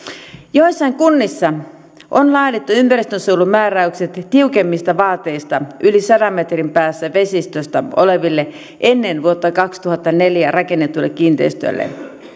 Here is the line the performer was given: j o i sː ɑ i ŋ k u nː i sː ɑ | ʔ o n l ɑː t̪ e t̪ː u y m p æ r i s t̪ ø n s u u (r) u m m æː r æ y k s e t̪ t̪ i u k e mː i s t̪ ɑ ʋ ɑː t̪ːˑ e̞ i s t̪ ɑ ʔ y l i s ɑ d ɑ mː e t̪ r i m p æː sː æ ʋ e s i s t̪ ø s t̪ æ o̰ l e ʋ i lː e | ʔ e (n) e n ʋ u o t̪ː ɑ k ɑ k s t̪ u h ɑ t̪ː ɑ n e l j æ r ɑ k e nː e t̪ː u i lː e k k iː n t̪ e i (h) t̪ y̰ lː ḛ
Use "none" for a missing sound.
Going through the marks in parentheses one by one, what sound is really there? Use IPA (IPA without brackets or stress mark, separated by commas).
l, nː, s